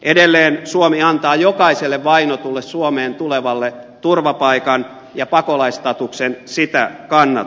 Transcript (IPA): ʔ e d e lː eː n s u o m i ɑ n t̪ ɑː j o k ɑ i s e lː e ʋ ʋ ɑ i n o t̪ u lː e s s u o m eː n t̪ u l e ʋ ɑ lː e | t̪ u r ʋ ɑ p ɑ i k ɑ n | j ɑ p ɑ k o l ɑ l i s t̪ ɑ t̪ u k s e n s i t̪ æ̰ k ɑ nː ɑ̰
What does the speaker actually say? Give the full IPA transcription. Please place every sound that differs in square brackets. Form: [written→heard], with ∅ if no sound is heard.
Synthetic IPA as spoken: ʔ e d e lː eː n s u o m i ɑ n t̪ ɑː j o k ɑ i s e lː e ʋ ʋ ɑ i n o t̪ u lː e s s u o m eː n t̪ u l e ʋ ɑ lː e | t̪ u r ʋ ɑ p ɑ i k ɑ n | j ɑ p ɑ k o l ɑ [l→∅] i s t̪ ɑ t̪ u k s e n s i t̪ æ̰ k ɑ nː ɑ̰